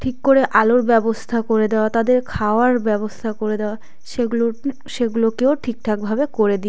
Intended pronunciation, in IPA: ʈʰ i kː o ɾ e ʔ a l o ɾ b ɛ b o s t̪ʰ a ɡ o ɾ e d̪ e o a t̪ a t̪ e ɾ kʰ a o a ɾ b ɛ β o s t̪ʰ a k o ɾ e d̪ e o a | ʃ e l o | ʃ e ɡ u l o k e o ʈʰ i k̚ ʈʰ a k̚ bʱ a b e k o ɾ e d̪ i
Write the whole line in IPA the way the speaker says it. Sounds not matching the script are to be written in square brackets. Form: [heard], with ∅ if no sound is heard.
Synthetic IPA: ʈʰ i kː o ɾ e ʔ a l o ɾ b ɛ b o s t̪ʰ a [k] o ɾ e d̪ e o a t̪ a [d̪] e ɾ kʰ a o a ɾ b ɛ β o s t̪ʰ a k o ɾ e d̪ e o a | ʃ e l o | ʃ e ɡ u l o k e o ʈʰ i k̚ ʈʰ a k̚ bʱ a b e k o ɾ e d̪ i